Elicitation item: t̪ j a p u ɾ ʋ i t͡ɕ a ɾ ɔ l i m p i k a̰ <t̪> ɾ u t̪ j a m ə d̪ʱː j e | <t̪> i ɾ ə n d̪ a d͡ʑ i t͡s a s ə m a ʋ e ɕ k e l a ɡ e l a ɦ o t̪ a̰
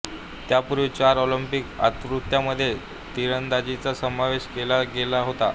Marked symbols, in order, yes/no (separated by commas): yes, yes